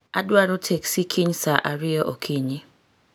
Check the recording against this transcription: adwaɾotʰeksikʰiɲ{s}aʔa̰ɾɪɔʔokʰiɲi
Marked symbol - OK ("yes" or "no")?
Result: yes